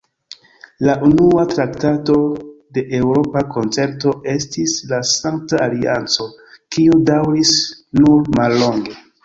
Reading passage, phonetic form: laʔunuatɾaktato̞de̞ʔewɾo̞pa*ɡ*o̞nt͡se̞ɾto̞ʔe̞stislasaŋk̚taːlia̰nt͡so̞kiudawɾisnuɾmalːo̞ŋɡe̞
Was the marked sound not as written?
yes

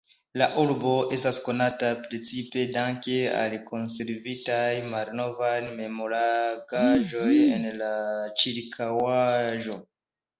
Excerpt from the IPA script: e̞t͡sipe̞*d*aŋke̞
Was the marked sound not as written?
no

